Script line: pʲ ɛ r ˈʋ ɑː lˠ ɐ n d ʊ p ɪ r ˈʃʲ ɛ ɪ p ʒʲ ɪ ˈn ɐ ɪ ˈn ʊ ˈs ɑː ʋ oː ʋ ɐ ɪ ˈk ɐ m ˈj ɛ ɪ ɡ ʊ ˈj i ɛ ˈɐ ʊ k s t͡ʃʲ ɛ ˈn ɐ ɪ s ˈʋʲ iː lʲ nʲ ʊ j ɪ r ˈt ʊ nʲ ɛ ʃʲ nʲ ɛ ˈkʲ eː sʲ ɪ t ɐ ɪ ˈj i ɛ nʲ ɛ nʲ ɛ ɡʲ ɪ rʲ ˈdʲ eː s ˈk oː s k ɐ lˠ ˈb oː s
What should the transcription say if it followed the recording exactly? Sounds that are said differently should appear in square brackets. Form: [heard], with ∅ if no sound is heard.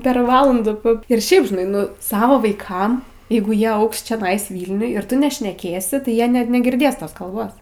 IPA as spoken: pʲ ɛ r ˈʋ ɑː lˠ ɐ n d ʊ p ɪ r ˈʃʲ ɛ ɪ p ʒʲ ɪ ˈn ɐ ɪ ˈn ʊ ˈs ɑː ʋ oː ʋ ɐ ɪ ˈk ɐ m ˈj ɛ ɪ ɡ ʊ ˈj i ɛ ˈɐ ʊ k s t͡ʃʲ ɛ ˈn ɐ ɪ s ˈʋʲ iː lʲ nʲ ʊ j ɪ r ˈt ʊ nʲ ɛ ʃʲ nʲ ɛ ˈkʲ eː sʲ ɪ t ɐ ɪ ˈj i ɛ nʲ ɛ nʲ ɛ ɡʲ ɪ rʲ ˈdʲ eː s [ˈt] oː s k ɐ lˠ ˈb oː s